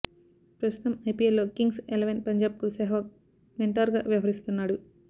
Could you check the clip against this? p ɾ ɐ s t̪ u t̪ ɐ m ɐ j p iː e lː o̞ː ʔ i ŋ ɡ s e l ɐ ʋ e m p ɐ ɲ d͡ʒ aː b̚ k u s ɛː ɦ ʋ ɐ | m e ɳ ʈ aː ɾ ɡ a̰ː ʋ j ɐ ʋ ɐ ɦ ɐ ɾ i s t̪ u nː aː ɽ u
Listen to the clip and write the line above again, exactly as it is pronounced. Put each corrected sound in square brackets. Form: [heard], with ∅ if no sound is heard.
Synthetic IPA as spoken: p ɾ ɐ s t̪ u t̪ ɐ m ɐ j p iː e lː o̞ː [k] i ŋ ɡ s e l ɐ ʋ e [n] p ɐ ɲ d͡ʒ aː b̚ k u s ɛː ɦ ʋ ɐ | m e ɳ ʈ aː ɾ ɡ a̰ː ʋ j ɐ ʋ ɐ ɦ ɐ ɾ i s t̪ u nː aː ɽ u